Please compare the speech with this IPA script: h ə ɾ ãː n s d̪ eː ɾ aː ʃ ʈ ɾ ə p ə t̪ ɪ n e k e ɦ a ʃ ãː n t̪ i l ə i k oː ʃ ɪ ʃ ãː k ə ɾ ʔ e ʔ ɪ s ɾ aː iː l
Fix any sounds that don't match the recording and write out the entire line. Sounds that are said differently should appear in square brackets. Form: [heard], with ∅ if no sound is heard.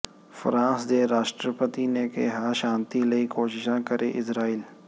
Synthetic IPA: [f] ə ɾ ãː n s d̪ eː ɾ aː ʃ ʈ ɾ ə p ə t̪ [i] n e k e ɦ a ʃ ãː n t̪ i l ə i k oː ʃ ɪ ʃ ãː k ə ɾ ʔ e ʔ ɪ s ɾ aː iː l

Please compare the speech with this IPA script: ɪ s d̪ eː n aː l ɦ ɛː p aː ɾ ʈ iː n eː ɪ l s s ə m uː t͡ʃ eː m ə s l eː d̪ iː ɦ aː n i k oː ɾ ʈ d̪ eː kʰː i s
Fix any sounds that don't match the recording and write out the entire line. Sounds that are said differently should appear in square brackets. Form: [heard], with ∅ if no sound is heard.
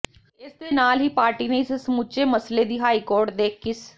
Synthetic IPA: ɪ s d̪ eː n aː l ɦ [iː] p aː ɾ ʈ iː n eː ɪ [∅] s s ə m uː t͡ʃ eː m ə s l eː d̪ iː ɦ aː [∅] i k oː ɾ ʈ d̪ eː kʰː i s

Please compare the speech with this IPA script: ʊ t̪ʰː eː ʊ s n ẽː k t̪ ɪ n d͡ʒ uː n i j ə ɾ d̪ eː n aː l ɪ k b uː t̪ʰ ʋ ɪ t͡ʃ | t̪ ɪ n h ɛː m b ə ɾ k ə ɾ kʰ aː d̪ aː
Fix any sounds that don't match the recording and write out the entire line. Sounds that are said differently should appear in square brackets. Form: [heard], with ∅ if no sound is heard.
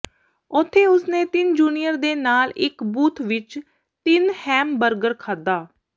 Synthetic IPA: ʊ t̪ʰː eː ʊ s n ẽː [∅] t̪ ɪ n d͡ʒ uː n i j ə ɾ d̪ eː n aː l ɪ k b uː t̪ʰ ʋ ɪ t͡ʃ | t̪ ɪ n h ɛː m b ə ɾ [ɡ] ə ɾ kʰ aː d̪ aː

